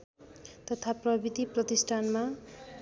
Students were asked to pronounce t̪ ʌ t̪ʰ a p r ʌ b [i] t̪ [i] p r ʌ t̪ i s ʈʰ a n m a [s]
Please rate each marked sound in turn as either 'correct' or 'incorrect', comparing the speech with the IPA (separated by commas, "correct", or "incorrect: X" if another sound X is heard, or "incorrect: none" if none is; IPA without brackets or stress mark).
correct, correct, incorrect: none